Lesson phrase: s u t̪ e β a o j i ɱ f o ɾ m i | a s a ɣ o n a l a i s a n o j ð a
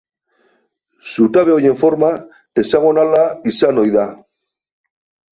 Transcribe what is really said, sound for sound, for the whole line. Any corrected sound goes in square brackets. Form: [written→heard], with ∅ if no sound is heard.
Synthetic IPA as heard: s u t̪ [e→a] β [a→e] o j [i→e] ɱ f o ɾ m [i→a] | [a→e] s a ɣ o n a l a i s a n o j ð a